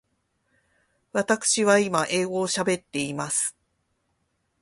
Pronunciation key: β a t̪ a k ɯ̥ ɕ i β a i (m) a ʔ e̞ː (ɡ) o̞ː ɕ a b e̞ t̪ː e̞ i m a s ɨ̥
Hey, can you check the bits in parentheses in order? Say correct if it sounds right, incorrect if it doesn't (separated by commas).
correct, correct